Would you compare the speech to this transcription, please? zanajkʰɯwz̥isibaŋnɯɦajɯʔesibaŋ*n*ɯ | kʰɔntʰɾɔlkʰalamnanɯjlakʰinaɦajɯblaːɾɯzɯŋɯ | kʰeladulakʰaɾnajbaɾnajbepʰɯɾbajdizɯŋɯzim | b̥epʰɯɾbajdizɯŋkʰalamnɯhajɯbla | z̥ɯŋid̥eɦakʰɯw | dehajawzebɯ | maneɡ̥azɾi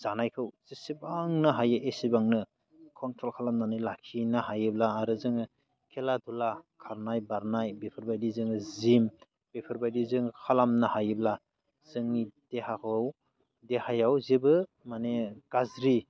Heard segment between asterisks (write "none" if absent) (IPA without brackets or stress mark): n